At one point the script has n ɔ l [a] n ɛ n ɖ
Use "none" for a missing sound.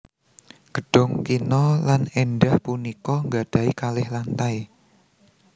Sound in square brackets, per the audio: a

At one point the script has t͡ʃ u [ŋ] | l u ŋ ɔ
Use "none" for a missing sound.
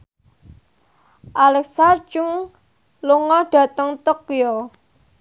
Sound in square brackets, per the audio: ŋ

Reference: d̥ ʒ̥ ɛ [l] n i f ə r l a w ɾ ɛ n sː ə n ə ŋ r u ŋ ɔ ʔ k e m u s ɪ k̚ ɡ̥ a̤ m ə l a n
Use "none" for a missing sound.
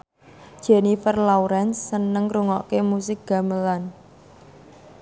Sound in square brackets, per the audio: none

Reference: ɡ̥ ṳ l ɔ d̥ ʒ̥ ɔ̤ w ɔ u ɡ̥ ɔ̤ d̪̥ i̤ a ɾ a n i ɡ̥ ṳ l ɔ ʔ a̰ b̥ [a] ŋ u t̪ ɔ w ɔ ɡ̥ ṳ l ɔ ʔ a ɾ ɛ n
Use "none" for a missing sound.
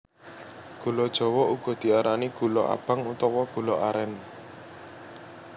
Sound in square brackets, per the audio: a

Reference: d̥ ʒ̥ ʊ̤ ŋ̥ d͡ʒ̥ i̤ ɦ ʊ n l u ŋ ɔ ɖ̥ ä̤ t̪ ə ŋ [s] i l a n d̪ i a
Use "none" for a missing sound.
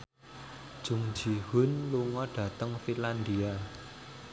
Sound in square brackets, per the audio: f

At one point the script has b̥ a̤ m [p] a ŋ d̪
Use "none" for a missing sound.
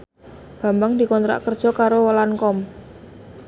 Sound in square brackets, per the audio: b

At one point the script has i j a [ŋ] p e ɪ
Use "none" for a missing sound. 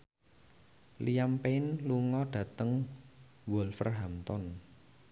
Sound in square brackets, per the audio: m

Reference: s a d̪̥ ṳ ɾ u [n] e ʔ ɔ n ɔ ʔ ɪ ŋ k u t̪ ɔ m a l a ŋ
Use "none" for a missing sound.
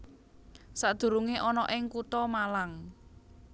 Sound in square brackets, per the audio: ŋ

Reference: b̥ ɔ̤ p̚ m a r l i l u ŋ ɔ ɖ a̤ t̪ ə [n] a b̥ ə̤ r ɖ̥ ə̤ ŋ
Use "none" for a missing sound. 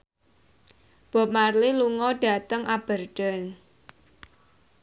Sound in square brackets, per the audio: ŋ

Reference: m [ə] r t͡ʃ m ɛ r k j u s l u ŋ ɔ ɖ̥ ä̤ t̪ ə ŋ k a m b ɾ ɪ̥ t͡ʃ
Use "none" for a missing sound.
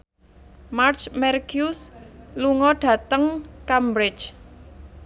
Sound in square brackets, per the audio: a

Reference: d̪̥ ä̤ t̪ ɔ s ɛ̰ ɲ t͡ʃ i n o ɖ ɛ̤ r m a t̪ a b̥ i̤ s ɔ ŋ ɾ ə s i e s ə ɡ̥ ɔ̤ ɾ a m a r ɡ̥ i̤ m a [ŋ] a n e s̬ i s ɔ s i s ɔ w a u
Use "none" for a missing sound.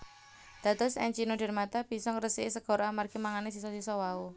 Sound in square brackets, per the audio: ŋ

